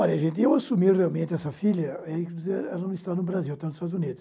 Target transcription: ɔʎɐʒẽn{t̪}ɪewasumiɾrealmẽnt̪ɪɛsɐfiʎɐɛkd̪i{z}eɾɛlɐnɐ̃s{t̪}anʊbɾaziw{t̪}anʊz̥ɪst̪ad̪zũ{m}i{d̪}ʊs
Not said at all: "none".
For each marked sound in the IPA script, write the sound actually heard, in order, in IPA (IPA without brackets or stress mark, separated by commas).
t̪, z, t̪, t̪, n, d̪